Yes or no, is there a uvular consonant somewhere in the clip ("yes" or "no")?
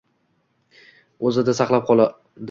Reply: yes